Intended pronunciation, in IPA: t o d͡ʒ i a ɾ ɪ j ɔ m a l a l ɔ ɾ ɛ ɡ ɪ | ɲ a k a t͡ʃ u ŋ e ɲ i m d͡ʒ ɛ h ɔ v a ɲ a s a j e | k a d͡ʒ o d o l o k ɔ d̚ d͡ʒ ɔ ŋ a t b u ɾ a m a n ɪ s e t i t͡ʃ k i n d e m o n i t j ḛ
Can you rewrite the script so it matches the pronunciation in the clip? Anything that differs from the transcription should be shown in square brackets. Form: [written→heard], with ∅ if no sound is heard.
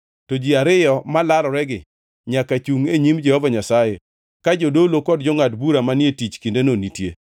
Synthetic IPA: t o d͡ʒ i a ɾ ɪ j ɔ m a l a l ɔ ɾ ɛ ɡ ɪ | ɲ a k a t͡ʃ u ŋ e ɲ i m d͡ʒ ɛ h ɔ v a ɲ a s a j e | k a d͡ʒ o d o l o k ɔ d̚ d͡ʒ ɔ ŋ a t b u ɾ a m a n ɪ [s→∅] e t i t͡ʃ k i n d e [m→n] o n i t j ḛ